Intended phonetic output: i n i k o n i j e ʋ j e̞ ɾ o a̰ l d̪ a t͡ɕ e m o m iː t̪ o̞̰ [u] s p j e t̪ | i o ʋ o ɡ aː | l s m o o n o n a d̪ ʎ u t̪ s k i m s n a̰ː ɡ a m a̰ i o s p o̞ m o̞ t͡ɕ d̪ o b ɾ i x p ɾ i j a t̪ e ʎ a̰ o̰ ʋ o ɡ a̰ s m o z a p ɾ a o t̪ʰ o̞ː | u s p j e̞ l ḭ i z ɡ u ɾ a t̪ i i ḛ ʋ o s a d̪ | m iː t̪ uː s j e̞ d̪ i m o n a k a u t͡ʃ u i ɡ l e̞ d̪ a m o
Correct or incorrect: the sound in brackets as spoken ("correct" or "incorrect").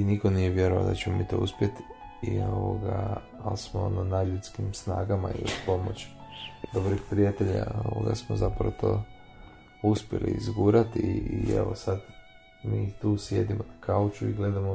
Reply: correct